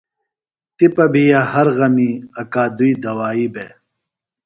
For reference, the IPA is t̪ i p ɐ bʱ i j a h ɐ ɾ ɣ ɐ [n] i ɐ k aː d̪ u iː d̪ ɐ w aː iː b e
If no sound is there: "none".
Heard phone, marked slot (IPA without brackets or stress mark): m